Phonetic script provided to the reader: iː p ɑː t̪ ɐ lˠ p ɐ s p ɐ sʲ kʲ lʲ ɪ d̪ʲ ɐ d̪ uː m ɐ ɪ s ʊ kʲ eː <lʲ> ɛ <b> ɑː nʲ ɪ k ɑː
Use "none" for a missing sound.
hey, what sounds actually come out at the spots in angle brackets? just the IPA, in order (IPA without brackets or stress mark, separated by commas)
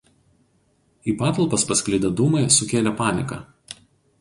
lʲ, p